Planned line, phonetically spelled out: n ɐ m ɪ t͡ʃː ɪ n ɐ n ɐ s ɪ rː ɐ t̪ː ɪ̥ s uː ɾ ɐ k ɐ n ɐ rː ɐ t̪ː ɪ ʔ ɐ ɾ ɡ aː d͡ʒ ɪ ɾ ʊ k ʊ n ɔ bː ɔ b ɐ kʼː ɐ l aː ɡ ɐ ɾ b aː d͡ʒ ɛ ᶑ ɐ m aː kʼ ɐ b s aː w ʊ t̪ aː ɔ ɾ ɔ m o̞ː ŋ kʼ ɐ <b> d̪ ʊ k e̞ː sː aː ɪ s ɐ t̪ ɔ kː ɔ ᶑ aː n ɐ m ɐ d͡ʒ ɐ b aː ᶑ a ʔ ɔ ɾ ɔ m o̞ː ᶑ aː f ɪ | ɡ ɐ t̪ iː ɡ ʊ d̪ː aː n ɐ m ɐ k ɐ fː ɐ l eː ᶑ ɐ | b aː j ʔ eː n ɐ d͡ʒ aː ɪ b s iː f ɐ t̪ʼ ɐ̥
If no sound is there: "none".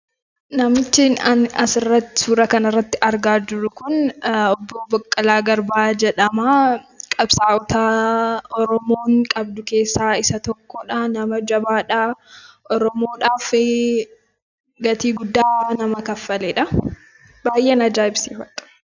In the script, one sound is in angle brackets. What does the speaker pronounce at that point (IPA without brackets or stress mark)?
b